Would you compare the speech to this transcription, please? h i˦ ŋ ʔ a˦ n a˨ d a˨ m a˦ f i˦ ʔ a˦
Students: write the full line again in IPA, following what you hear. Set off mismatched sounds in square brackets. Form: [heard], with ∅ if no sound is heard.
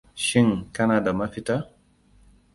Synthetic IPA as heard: [ʃ] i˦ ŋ [k] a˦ n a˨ d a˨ m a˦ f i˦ [t] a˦